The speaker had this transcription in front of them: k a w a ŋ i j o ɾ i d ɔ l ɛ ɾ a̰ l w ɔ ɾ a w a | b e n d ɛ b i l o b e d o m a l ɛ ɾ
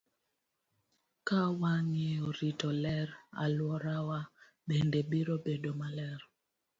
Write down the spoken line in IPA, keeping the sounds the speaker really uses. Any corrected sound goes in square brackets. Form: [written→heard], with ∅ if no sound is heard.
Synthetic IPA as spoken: k a w a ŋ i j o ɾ i [d→t] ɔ l ɛ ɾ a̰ l w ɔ ɾ a w a | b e n d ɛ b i [l→ɾ] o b e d o m a l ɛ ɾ